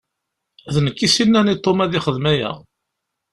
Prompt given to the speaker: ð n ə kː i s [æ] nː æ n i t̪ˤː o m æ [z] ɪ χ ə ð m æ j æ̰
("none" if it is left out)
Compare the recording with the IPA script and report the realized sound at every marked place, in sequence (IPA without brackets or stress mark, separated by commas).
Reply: i, ð